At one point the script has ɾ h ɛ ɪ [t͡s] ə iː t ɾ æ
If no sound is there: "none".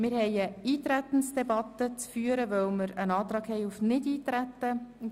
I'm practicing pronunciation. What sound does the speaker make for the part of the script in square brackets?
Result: none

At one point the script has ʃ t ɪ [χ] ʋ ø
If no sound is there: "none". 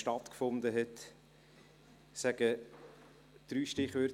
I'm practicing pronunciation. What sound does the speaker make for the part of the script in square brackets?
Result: χ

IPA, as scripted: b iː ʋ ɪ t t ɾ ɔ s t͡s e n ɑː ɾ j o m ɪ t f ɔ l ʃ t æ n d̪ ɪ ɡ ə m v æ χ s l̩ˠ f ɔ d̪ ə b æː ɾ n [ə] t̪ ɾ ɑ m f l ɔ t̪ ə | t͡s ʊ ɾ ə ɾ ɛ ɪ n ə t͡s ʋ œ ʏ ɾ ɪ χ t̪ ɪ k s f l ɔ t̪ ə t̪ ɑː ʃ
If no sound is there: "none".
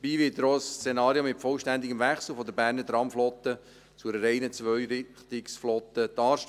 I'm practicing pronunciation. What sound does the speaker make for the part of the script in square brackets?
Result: ə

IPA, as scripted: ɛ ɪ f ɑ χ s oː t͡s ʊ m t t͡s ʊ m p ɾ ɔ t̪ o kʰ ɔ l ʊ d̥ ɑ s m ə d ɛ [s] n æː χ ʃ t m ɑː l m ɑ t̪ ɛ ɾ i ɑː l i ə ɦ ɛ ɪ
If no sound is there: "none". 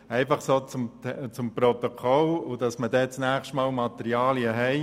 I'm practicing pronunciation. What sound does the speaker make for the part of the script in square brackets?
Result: t͡s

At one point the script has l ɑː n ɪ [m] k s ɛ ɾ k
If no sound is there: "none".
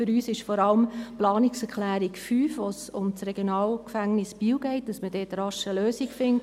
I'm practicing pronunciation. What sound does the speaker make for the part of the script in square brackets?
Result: none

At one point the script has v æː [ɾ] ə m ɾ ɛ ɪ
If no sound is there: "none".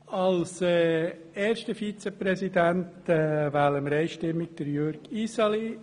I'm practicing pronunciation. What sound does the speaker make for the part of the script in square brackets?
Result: l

